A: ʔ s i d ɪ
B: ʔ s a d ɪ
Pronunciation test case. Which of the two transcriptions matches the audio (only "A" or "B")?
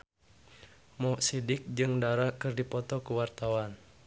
A